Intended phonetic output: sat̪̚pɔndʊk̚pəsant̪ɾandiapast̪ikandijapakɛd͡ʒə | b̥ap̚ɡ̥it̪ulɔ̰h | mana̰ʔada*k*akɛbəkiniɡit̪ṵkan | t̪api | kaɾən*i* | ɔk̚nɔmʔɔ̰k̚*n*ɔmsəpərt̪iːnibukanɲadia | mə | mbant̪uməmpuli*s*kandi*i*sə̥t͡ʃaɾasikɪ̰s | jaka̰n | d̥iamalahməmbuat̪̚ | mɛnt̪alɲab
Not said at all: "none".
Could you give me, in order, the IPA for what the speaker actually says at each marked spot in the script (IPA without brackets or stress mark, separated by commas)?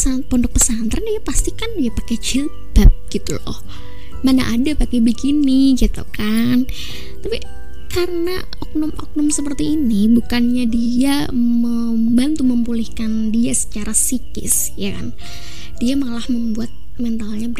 p, a, n, h, a